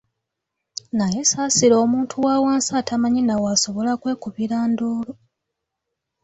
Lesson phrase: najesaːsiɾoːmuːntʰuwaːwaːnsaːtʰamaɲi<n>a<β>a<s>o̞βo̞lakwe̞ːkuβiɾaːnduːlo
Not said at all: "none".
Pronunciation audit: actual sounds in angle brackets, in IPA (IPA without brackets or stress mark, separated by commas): n, w, s